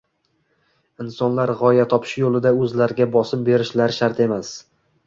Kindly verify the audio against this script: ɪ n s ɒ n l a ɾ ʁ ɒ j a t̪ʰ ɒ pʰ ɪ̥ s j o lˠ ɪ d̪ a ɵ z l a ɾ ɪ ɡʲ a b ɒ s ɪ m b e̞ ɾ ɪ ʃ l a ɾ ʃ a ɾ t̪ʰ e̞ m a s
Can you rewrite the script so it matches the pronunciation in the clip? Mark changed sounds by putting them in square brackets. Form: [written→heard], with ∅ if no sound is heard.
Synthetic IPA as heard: ɪ n s ɒ n l a ɾ ʁ ɒ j a t̪ʰ ɒ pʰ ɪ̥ [s→ʃ] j o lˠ ɪ d̪ a ɵ z l a ɾ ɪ ɡʲ a b ɒ s ɪ m b e̞ ɾ ɪ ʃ l a ɾ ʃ a ɾ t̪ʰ e̞ m a s